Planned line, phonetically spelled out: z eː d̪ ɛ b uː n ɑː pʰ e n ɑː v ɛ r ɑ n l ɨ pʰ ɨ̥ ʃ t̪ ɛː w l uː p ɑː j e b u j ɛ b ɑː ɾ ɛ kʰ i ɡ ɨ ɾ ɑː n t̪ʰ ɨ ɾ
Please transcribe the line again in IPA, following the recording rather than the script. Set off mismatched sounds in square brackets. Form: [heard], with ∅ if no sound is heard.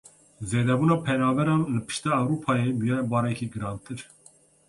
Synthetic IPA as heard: z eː d̪ ɛ b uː n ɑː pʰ [ɛ] n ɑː v ɛ [ɾ] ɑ n l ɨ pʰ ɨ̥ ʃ t̪ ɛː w [ɾ] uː [pʰ] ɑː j e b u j ɛ b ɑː ɾ ɛ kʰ i ɡ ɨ ɾ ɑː n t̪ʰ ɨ ɾ